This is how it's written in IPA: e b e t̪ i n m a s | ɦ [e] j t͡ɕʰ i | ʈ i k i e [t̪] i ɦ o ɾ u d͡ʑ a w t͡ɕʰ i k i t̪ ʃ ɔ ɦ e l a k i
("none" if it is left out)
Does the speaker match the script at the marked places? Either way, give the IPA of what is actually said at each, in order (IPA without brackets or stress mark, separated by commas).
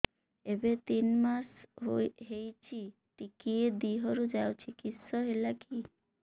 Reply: e, d̪